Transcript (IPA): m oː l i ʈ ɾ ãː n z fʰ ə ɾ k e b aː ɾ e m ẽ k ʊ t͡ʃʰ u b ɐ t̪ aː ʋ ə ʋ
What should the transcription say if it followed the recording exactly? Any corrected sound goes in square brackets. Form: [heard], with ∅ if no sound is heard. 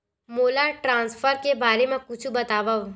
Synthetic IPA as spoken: m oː l [a] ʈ ɾ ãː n [s] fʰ ə ɾ k e b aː ɾ e m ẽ k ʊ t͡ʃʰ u b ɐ t̪ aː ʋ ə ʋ